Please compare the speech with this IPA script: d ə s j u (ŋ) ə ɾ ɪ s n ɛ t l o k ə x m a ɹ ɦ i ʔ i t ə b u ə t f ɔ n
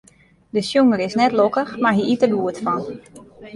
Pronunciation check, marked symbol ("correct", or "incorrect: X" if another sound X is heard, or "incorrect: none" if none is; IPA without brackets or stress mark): correct